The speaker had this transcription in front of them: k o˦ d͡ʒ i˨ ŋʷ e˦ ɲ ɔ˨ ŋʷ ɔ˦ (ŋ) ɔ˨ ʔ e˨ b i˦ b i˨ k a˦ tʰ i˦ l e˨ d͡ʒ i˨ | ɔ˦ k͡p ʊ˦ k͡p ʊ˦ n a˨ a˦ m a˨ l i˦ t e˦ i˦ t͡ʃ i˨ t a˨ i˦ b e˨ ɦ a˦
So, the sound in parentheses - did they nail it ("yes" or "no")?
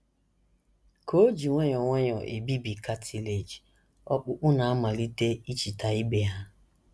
no